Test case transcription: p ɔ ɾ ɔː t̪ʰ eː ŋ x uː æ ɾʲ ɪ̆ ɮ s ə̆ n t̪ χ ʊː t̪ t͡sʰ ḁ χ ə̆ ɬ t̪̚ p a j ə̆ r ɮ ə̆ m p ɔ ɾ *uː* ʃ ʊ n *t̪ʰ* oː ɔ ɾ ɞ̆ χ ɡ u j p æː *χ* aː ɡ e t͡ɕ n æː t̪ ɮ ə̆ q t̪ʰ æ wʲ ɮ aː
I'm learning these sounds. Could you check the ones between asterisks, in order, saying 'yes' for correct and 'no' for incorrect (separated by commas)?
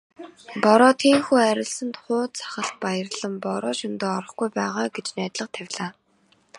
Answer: no, no, no